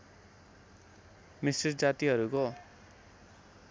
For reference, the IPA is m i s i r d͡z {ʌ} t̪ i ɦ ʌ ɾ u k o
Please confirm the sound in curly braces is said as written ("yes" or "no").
no